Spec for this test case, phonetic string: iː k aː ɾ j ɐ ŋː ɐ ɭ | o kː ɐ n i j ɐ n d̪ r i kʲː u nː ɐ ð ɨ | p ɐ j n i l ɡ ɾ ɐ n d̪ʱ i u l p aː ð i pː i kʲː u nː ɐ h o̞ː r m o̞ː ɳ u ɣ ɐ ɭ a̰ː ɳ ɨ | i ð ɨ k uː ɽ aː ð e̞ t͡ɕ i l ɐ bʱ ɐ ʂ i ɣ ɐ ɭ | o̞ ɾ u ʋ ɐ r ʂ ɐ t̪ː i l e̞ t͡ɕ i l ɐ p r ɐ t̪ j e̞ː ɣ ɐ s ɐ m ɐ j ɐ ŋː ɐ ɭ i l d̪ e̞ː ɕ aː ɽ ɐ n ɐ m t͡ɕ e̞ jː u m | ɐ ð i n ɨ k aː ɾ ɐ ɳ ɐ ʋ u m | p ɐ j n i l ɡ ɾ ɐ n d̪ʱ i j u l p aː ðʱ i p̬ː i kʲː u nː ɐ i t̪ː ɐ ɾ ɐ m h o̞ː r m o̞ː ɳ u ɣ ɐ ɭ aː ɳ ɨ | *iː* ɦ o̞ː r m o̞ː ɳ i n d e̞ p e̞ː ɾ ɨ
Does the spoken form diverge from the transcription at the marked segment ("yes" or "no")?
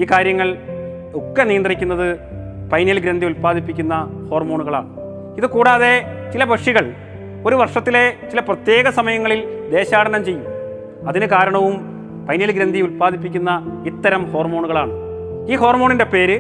no